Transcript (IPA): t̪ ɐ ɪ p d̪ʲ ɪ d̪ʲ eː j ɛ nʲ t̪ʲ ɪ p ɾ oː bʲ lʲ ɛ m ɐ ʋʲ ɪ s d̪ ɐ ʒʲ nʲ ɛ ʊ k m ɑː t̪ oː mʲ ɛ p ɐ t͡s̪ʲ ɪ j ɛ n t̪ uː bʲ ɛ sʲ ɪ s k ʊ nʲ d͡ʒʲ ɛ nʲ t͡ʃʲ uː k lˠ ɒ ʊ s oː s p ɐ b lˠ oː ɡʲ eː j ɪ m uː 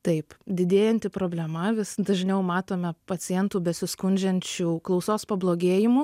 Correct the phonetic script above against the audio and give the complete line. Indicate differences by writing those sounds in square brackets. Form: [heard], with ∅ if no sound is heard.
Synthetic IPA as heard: t̪ ɐ ɪ p d̪ʲ ɪ d̪ʲ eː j ɛ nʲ t̪ʲ ɪ p ɾ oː bʲ lʲ ɛ m ɐ ʋʲ ɪ s d̪ ɐ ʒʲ nʲ ɛ ʊ [∅] m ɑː t̪ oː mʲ ɛ p ɐ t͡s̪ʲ ɪ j ɛ n t̪ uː bʲ ɛ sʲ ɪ s k ʊ nʲ d͡ʒʲ ɛ nʲ t͡ʃʲ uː k lˠ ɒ ʊ s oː s p ɐ b lˠ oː ɡʲ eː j ɪ m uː